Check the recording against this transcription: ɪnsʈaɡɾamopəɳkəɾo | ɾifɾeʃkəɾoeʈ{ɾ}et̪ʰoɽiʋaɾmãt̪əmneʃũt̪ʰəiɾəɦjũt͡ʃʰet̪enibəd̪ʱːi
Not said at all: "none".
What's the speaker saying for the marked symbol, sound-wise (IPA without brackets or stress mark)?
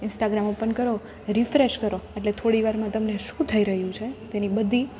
l